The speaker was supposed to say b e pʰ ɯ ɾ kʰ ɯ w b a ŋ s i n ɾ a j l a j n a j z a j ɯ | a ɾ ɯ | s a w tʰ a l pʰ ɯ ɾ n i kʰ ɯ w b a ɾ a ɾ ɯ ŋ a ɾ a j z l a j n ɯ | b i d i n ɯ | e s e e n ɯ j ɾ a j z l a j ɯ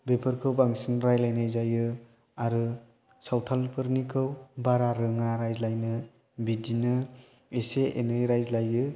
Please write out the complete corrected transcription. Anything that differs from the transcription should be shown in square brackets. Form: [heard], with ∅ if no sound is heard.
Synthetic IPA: b e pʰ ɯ ɾ kʰ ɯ w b a ŋ s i n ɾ a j l a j n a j z a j ɯ | a ɾ ɯ | s a w tʰ a l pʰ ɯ ɾ n i kʰ ɯ w b a ɾ a ɾ ɯ ŋ a ɾ a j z l a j n ɯ | b i d i n ɯ | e s e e n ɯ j ɾ a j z l a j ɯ